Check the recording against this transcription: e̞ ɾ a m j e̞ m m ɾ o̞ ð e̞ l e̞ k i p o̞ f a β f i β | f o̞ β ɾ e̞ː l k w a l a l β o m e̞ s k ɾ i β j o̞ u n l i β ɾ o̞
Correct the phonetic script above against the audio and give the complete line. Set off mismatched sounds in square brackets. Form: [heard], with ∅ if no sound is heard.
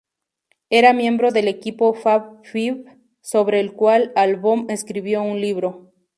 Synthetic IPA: e̞ ɾ a m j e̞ m [b] ɾ o̞ ð e̞ l e̞ k i p o̞ f a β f i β | [s] o̞ β ɾ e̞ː l k w a l a l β o m e̞ s k ɾ i β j o̞ u n l i β ɾ o̞